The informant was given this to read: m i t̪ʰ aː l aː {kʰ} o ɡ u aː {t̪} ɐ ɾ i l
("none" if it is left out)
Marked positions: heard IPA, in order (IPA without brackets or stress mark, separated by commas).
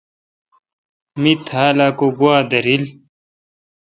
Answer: k, d̪